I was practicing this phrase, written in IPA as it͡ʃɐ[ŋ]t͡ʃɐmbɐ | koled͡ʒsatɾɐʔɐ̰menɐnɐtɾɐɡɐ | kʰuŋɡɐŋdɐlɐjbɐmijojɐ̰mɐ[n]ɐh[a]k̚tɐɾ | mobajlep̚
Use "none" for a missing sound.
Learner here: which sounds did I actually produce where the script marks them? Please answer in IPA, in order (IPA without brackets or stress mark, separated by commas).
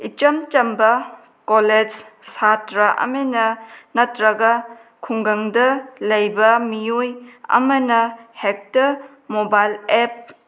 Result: m, n, e